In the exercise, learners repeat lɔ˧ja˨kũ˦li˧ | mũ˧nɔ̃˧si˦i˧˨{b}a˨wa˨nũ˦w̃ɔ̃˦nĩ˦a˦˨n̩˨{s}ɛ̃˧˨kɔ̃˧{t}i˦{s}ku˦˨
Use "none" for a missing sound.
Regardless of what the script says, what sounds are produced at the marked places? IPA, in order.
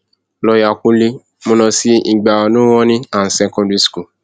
ɡ͡b, s, d, s

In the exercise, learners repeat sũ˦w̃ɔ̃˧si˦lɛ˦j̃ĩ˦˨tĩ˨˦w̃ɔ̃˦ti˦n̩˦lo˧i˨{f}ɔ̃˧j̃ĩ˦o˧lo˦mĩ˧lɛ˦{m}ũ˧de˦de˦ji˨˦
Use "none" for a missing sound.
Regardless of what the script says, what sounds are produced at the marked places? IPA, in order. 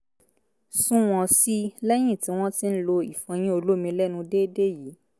f, n

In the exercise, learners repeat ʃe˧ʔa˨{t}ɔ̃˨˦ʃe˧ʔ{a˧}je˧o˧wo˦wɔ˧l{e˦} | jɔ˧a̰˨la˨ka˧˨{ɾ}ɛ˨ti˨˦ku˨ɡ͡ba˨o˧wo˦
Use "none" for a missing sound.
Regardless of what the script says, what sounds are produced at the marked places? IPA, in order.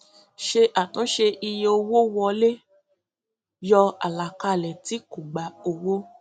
t, i˧, e˦, l

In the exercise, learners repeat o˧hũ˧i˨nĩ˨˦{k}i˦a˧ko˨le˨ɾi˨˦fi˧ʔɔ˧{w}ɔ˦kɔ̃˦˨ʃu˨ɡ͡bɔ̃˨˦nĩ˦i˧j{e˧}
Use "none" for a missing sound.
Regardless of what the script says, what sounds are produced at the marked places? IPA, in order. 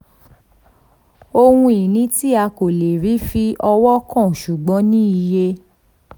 t, w, e˧

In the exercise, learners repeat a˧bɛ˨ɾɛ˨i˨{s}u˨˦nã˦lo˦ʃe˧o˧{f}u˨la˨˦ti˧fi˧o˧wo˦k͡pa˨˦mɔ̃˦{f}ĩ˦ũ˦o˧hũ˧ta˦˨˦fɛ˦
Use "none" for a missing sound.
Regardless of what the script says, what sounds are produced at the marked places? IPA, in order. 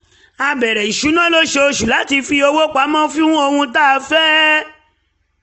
ʃ, ʃ, f

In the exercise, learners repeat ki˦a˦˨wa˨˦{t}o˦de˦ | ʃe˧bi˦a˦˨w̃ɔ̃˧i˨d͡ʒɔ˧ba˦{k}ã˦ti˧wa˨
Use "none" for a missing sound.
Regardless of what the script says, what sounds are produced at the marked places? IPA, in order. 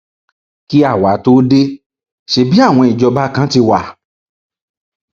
t, k

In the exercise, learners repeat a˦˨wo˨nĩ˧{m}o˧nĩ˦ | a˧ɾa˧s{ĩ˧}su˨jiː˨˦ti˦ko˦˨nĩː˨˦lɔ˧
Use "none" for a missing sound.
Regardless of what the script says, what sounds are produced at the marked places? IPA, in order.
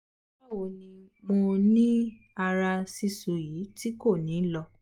m, i˧

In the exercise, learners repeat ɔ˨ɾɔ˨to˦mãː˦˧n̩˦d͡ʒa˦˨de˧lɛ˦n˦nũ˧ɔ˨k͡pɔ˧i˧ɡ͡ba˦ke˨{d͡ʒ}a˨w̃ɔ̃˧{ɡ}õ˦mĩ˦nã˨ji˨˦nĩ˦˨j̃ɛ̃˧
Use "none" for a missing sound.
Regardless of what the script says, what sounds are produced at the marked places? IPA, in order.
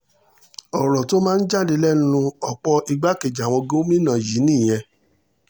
d͡ʒ, ɡ

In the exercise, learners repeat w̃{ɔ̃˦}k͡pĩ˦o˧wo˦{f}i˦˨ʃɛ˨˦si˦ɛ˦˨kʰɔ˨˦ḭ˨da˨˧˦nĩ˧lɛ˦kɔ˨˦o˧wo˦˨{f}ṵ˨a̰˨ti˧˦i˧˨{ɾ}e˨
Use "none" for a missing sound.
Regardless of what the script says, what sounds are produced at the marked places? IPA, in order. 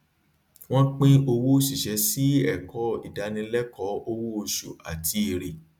ɔ̃˦, ʃ, ʃ, ɾ

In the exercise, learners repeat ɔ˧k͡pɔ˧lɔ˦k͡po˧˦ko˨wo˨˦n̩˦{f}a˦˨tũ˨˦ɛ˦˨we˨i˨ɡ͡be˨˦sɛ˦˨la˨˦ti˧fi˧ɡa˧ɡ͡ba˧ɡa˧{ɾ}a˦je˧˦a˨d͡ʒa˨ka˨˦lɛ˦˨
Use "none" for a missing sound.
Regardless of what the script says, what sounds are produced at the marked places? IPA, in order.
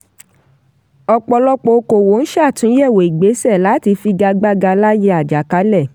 ʃ, l

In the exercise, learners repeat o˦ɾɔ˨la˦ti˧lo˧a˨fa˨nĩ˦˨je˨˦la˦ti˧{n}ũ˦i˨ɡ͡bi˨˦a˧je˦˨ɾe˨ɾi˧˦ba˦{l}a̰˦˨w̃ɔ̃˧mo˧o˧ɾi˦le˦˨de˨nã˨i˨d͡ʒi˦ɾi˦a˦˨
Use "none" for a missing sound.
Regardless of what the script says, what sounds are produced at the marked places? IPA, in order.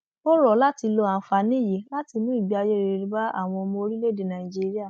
n, none

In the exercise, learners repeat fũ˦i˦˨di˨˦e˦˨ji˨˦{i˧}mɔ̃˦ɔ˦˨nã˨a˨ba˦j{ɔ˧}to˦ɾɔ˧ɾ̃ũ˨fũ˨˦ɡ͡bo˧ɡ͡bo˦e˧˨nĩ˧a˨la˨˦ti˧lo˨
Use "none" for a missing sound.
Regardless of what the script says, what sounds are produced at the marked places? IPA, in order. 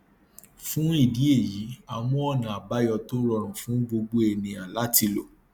a˧, ɔ˧

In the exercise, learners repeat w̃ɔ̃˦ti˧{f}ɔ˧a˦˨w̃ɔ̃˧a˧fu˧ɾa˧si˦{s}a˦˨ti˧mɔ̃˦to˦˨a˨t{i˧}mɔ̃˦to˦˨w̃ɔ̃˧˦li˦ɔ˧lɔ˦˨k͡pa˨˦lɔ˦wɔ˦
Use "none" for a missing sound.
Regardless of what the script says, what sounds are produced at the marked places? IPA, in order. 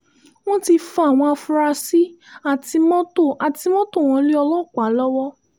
f, none, i˧

